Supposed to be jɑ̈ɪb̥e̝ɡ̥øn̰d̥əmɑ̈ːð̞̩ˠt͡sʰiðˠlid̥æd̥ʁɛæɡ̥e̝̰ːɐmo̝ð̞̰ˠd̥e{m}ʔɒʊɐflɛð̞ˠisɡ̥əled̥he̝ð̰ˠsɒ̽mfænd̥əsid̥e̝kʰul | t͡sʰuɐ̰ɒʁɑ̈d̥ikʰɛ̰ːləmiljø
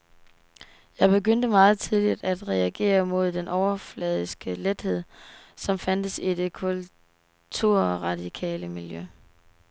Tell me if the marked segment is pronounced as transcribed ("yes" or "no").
no